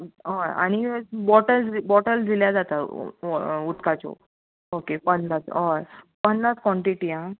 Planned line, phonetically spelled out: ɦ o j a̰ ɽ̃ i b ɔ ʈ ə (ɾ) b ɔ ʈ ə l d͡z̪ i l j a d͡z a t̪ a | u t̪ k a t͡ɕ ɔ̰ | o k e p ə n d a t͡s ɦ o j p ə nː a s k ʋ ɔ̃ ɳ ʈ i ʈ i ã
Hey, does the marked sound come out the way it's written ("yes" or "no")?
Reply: no